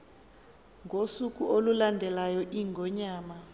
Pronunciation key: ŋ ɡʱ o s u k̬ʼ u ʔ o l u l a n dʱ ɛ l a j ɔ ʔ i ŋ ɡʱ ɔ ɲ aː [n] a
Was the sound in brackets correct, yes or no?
no